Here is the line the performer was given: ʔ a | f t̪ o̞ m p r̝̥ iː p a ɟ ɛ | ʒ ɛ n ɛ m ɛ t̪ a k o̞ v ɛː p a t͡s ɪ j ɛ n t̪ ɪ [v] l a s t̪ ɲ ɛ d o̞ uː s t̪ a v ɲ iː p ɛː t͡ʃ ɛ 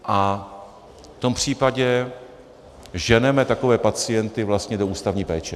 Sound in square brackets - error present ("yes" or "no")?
no